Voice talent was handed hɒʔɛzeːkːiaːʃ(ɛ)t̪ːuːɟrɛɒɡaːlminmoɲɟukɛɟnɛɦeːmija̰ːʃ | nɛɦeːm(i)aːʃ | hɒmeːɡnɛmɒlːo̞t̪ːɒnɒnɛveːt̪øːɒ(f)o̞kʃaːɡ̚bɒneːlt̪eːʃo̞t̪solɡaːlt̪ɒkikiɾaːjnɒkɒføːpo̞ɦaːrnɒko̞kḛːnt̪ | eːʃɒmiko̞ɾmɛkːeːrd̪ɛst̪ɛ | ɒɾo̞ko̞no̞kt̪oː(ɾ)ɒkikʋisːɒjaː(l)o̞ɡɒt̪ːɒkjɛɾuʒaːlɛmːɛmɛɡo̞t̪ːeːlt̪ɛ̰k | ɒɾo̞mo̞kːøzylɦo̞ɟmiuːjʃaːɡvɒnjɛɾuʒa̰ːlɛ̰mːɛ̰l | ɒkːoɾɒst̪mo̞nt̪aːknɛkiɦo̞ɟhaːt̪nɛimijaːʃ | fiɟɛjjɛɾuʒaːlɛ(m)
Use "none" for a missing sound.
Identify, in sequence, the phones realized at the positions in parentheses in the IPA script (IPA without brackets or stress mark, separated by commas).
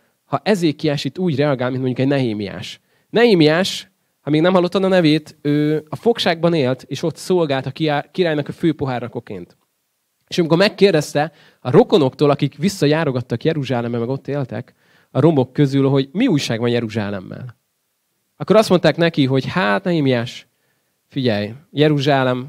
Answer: i, i, f, l, ɾ, m